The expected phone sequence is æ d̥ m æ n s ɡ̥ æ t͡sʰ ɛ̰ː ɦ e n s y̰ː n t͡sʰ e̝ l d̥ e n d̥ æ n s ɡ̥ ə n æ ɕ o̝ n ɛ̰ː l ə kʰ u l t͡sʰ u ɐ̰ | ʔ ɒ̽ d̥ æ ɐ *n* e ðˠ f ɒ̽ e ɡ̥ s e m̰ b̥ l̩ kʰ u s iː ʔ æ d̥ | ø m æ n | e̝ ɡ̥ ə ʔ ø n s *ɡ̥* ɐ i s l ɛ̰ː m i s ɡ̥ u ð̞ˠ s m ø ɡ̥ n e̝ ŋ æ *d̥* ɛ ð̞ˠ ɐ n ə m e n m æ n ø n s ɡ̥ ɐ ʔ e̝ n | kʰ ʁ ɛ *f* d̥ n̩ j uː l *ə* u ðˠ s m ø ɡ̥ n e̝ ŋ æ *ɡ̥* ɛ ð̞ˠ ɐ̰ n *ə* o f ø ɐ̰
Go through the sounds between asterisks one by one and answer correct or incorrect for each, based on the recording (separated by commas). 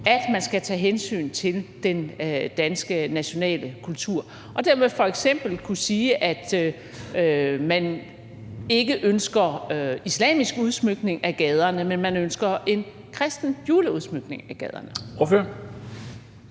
incorrect, correct, incorrect, incorrect, correct, correct, correct